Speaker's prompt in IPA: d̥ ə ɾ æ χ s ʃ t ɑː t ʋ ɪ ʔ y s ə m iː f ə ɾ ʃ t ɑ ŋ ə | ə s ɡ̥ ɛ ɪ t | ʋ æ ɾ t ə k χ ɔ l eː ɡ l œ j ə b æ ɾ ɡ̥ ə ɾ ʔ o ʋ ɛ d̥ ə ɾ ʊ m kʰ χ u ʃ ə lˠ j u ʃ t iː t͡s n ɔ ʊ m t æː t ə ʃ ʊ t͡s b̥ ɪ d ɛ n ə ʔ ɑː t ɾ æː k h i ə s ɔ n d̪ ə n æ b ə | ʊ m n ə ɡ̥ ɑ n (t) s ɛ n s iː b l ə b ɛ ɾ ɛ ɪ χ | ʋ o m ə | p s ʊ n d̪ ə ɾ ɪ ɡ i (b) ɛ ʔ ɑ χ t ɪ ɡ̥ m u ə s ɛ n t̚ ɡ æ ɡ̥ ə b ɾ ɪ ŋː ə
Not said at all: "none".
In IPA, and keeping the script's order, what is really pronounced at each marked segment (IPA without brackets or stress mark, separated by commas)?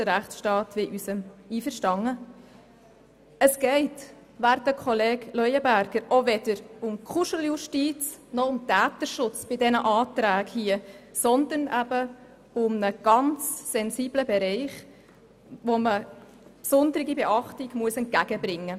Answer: t͡s, b